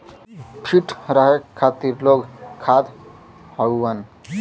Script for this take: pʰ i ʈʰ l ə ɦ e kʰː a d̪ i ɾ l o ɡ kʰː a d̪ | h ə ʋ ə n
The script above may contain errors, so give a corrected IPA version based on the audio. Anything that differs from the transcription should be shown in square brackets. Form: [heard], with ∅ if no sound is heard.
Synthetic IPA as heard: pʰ i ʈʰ [ɾ] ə ɦ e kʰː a [t̪] i ɾ l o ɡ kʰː a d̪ | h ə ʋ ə n